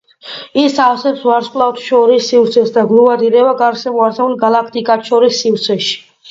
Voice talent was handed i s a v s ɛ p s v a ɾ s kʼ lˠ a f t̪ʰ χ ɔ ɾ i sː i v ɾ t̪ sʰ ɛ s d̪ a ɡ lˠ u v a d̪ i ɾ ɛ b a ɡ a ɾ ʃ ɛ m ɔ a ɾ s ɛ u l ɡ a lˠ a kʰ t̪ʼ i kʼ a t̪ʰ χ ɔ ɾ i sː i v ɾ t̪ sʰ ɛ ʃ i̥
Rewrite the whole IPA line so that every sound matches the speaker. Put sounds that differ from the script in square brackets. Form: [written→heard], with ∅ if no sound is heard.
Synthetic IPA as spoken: i s a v s ɛ p s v a ɾ s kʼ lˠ a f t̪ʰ [χ→ʃ] ɔ ɾ i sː i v ɾ t̪ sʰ ɛ s d̪ a ɡ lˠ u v a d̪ i ɾ ɛ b a ɡ a ɾ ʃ ɛ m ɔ a ɾ s ɛ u l ɡ a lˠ a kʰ t̪ʼ i kʼ a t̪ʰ [χ→ʃ] ɔ ɾ i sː i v ɾ t̪ sʰ ɛ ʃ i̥